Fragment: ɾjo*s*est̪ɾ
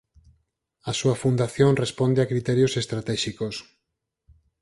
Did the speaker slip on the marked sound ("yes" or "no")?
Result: no